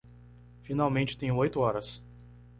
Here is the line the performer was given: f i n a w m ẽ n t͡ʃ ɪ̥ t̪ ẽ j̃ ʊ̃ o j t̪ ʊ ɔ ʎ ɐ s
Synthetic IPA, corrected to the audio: f i n a w m ẽ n t͡ʃ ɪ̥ t̪ ẽ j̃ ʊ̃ o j t̪ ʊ ɔ ɾ ɐ s